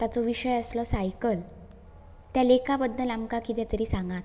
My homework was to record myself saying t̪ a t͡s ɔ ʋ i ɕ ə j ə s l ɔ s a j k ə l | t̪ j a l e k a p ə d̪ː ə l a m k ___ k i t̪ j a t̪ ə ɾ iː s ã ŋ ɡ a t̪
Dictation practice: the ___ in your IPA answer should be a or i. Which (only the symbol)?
a